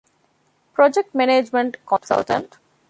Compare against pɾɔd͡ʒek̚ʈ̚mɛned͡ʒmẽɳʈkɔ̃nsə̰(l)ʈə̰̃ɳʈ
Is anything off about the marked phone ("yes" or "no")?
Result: no